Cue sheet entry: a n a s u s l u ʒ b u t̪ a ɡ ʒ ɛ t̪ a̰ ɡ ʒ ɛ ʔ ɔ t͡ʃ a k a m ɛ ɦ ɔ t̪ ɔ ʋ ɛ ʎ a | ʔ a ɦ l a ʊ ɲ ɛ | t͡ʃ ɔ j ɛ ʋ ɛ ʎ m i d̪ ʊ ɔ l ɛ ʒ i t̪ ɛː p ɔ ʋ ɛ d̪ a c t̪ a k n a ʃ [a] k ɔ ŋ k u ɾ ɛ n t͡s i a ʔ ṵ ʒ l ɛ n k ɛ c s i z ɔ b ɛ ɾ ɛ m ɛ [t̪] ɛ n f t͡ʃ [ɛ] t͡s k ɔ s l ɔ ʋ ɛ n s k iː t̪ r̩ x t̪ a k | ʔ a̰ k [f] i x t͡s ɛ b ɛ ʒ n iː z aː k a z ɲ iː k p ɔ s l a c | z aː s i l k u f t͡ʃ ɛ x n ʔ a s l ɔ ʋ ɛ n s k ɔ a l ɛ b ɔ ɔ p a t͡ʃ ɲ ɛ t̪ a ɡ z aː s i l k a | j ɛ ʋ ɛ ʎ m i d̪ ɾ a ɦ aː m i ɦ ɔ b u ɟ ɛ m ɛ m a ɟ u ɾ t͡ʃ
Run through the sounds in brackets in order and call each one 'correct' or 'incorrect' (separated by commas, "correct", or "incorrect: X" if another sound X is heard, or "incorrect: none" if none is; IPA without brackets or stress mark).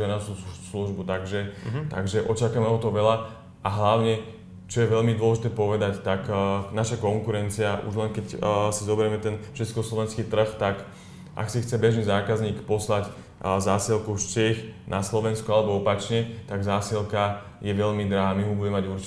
correct, correct, correct, incorrect: s